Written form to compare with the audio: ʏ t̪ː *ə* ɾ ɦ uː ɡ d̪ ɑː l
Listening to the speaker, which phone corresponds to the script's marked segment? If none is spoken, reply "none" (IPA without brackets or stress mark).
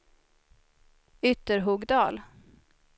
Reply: ə